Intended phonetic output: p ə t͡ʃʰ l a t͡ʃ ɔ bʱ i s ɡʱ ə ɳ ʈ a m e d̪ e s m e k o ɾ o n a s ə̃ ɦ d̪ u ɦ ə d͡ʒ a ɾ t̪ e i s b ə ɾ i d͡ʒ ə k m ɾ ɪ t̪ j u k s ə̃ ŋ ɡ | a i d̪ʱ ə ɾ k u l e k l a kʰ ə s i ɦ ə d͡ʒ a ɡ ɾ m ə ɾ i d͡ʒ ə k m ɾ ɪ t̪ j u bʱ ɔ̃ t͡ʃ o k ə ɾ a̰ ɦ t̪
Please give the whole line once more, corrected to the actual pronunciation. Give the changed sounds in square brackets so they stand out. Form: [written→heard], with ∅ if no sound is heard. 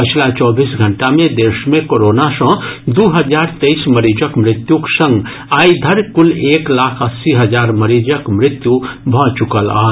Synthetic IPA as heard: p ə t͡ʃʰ l a t͡ʃ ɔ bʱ i s ɡʱ ə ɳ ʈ a m e d̪ e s m e k o ɾ o n a s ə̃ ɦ d̪ u ɦ ə d͡ʒ a ɾ t̪ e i s [b→m] ə ɾ i d͡ʒ ə k m ɾ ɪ t̪ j u k s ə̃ ŋ ɡ | a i d̪ʱ ə ɾ k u l e k l a kʰ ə s i ɦ ə d͡ʒ a [ɡ→∅] ɾ m ə ɾ i d͡ʒ ə k m ɾ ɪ t̪ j u bʱ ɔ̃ t͡ʃ [o→u] k ə [ɾ→l] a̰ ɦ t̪